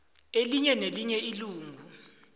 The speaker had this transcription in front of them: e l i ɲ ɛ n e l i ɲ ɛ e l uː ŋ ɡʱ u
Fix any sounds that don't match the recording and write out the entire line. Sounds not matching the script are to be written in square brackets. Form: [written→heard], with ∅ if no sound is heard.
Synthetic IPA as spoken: e l i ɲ ɛ n e l i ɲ ɛ [e→i] l uː ŋ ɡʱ u